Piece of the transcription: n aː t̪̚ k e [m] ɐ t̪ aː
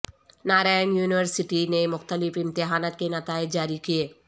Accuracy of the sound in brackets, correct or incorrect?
incorrect